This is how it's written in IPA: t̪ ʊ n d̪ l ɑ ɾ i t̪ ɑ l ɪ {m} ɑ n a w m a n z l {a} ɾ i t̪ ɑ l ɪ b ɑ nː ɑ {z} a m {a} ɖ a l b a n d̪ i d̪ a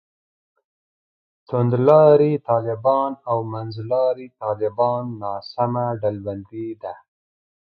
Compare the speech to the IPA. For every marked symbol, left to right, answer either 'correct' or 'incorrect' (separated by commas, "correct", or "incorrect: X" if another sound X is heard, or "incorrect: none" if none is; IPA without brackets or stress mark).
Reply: incorrect: b, incorrect: ɑ, incorrect: s, correct